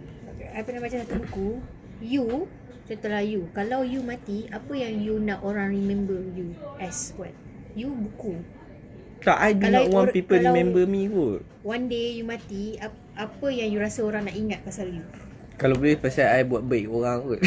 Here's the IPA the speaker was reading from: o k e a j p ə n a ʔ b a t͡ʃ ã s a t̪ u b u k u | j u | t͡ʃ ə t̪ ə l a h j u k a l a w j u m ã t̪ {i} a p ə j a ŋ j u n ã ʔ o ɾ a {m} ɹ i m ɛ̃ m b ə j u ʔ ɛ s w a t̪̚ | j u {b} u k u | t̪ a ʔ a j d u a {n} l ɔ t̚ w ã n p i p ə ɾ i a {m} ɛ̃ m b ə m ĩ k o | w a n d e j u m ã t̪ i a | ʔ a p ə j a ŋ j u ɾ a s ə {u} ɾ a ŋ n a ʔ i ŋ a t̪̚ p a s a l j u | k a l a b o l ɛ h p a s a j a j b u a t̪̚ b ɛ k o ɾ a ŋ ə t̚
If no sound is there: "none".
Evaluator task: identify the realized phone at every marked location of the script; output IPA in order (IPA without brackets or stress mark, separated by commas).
i, ŋ, b, n, m, o